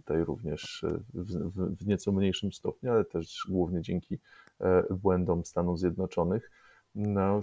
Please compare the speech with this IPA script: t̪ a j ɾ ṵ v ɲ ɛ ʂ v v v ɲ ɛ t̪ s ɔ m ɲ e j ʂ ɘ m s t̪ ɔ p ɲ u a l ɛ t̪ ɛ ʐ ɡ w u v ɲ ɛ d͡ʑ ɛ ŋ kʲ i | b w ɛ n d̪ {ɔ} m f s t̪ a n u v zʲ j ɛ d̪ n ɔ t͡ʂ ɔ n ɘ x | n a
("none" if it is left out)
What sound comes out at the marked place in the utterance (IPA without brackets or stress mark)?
ɔ